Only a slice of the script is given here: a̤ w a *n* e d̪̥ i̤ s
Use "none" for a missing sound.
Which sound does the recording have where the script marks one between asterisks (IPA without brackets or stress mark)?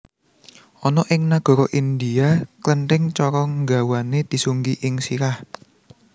n